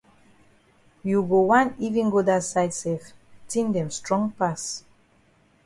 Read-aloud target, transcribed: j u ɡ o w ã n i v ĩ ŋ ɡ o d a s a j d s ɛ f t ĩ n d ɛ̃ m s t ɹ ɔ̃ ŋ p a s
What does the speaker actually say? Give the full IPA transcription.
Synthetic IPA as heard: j u ɡ o w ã n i v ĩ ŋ ɡ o d a s a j d s ɛ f t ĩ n d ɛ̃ m s t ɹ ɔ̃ ŋ p a s